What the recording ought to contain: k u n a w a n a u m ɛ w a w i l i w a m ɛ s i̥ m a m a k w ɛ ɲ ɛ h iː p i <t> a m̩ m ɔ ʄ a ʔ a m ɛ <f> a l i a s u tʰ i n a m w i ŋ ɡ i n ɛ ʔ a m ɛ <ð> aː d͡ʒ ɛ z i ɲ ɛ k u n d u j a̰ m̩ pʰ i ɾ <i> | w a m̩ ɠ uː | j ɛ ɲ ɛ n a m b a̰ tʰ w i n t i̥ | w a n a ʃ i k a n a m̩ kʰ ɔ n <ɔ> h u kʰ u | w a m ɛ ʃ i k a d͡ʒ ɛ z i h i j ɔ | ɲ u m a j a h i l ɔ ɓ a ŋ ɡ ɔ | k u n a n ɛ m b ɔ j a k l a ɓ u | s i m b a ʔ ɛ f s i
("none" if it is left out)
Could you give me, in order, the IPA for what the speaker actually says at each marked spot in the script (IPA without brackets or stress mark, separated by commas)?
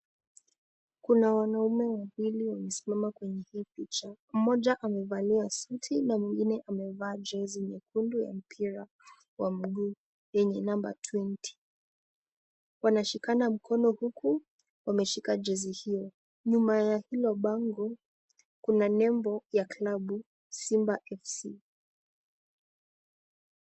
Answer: t͡ʃ, v, v, a, ɔ